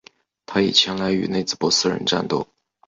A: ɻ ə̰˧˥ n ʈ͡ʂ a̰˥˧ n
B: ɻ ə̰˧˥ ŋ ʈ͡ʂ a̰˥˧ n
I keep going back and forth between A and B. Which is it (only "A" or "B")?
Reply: A